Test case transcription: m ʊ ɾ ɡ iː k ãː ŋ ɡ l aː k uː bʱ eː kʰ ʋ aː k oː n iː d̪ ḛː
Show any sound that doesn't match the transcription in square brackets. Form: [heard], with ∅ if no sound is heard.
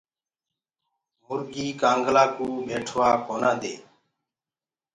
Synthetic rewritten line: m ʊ ɾ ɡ iː k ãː ŋ ɡ l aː k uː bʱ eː [ʈʰ] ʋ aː k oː n [aː] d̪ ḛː